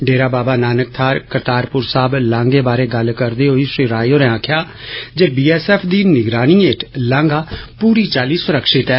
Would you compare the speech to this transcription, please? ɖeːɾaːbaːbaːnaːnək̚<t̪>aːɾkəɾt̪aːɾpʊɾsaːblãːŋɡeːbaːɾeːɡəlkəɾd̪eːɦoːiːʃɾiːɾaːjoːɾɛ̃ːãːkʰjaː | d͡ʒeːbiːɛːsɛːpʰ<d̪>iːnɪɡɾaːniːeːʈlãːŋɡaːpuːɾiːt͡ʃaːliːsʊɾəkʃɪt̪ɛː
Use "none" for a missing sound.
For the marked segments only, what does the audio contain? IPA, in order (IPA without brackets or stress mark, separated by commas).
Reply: t̪ʰ, d̪